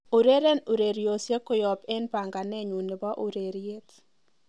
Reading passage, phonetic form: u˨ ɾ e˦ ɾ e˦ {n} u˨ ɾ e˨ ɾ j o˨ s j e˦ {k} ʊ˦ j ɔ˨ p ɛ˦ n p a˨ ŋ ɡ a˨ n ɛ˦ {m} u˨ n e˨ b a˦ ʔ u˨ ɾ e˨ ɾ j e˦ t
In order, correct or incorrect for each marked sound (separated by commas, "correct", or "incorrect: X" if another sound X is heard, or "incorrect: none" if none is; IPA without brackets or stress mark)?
correct, correct, incorrect: ɲ